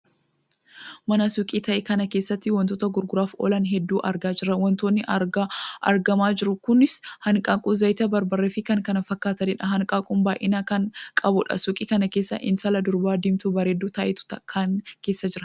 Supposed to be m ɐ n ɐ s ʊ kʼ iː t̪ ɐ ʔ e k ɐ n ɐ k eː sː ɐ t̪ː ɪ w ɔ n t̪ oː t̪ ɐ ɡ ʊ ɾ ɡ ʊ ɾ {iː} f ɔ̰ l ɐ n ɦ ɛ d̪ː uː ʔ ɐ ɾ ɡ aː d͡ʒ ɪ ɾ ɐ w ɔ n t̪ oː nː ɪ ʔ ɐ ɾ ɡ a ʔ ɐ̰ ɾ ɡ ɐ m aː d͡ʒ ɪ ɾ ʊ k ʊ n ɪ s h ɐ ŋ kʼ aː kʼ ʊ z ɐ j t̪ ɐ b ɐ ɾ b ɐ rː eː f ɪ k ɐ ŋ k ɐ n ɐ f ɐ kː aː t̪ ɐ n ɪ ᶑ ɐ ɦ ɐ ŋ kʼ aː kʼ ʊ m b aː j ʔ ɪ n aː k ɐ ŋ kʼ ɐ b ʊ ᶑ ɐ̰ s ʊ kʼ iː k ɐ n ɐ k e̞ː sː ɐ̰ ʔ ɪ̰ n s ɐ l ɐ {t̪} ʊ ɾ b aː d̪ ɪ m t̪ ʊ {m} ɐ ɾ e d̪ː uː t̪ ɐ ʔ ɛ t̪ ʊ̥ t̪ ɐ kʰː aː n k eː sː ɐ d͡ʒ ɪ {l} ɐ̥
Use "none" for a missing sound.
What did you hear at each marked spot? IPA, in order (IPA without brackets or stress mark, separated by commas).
aː, d̪, b, ɾ